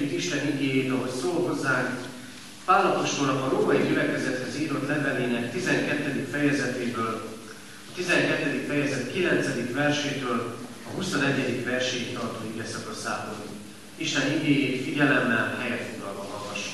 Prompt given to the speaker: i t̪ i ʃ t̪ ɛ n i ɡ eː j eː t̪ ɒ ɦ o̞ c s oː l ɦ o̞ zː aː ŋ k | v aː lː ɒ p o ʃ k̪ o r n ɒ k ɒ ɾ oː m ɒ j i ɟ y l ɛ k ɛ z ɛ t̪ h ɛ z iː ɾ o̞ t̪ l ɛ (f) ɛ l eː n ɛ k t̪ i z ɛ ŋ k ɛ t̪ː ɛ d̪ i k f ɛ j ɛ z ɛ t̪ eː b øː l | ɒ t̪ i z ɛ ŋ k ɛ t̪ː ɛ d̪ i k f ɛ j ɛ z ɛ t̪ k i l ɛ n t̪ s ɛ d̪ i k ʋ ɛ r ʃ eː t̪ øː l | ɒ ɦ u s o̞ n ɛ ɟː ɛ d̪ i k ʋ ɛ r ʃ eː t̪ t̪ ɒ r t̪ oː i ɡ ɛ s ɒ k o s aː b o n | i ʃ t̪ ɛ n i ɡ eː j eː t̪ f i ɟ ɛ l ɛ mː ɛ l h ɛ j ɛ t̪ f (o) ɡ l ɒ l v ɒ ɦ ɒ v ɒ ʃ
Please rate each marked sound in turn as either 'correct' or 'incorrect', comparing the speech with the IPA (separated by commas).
incorrect, correct